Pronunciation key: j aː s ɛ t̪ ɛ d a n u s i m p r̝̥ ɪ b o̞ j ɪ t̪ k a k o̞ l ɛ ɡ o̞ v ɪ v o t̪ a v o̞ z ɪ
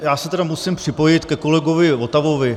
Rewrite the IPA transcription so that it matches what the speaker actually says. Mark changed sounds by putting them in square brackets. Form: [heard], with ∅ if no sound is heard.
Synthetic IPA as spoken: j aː s ɛ t̪ ɛ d a [m] u s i m p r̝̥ ɪ [p] o̞ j ɪ t̪ k [ɛ] k o̞ l ɛ ɡ o̞ v ɪ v o t̪ a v o̞ [v] ɪ